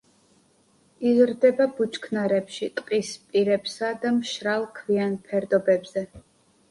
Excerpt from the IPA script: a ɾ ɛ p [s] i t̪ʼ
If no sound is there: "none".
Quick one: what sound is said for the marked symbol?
ʃ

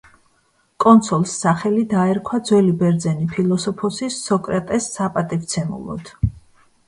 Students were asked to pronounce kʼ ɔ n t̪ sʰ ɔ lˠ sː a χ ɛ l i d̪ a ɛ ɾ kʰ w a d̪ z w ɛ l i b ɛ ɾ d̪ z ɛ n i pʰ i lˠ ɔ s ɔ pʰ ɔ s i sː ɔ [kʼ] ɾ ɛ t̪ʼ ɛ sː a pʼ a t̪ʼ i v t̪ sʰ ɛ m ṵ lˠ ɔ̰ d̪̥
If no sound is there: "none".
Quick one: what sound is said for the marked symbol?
kʼ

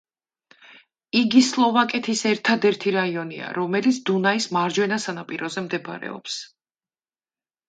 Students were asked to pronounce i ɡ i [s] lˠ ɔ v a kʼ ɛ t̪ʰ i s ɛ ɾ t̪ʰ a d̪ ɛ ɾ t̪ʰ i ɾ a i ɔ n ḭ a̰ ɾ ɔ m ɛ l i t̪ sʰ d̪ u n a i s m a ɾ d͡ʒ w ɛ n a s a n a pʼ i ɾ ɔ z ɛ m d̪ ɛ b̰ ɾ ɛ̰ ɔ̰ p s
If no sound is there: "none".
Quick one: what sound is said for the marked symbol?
s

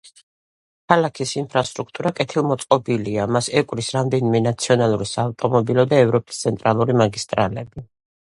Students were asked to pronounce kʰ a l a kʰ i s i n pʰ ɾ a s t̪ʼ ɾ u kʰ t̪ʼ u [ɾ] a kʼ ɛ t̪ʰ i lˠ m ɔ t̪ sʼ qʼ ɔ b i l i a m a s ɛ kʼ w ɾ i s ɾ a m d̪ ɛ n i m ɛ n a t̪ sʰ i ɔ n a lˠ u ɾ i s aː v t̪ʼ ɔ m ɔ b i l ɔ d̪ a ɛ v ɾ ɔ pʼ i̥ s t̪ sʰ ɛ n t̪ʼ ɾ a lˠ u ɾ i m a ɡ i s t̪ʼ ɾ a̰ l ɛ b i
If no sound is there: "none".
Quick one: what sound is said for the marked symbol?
ɾ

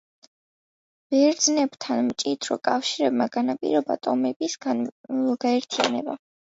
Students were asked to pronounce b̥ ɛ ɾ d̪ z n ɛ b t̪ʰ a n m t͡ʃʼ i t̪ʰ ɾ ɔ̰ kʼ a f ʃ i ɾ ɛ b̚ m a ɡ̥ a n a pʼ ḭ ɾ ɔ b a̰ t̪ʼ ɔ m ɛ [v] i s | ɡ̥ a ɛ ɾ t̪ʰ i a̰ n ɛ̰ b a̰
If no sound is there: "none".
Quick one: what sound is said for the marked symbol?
b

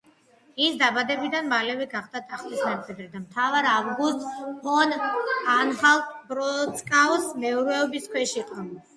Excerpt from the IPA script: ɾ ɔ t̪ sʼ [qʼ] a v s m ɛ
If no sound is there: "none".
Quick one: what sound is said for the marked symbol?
kʼ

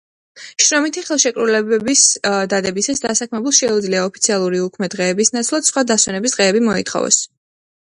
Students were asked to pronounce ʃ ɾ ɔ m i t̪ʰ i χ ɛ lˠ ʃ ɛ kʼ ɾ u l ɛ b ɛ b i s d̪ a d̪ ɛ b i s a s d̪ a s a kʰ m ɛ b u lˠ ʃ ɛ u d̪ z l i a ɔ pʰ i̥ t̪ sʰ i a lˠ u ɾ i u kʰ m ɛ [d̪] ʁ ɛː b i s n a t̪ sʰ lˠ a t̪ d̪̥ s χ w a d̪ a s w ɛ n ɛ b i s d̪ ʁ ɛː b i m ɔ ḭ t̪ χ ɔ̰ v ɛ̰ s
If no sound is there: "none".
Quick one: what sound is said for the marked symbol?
d̪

